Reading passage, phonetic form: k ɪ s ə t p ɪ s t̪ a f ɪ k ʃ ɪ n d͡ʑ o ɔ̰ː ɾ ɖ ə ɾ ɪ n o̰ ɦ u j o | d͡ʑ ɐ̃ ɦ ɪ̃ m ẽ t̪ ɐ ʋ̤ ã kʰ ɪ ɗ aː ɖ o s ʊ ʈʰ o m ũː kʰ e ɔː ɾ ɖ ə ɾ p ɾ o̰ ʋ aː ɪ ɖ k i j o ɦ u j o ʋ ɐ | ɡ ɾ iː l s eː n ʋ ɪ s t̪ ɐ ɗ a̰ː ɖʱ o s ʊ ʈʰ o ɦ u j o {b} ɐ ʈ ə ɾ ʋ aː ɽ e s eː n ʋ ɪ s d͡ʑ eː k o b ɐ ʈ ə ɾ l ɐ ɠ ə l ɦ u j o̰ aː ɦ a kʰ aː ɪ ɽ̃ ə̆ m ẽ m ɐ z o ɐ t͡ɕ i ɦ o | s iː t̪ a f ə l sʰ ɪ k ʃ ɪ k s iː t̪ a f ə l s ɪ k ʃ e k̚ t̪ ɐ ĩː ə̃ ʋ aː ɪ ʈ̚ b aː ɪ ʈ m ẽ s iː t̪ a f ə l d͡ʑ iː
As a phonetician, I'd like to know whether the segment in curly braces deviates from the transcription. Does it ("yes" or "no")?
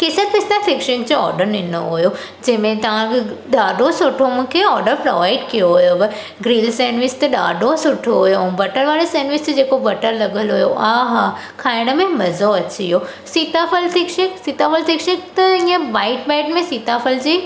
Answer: no